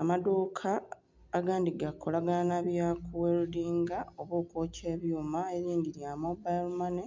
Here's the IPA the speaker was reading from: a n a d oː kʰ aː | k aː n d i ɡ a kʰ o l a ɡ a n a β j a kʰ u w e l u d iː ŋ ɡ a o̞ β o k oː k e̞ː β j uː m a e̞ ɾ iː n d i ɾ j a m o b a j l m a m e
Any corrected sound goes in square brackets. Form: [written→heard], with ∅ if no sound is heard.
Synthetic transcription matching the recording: a [n→m] a d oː kʰ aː | [k→ɡ] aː n d i ɡ a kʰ o l a ɡ a n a β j a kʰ u w e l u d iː ŋ ɡ a o̞ β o k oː [k→c] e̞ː β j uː m a e̞ ɾ iː n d i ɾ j a m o b a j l m a [m→n] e